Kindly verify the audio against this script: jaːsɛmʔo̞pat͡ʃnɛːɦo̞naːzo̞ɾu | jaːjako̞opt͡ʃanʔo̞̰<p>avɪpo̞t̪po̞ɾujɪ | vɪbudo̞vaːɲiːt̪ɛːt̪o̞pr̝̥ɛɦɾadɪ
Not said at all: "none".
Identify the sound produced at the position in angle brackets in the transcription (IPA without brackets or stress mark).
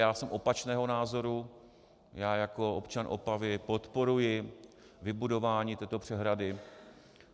p